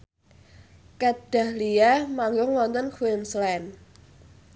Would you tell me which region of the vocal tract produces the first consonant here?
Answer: velum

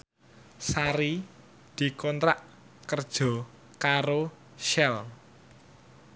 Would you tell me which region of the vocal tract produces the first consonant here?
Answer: tongue tip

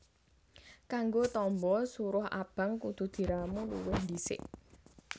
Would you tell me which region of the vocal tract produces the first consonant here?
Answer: velum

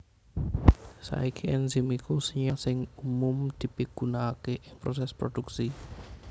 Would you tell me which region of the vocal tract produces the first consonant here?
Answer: tongue tip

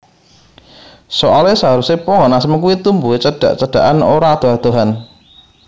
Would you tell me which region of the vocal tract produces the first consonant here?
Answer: tongue tip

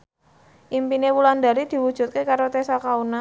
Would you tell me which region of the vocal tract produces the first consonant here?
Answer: throat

